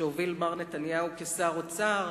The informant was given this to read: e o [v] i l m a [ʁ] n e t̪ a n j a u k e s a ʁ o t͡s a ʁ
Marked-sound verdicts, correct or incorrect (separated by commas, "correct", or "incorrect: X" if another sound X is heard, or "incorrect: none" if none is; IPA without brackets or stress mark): correct, correct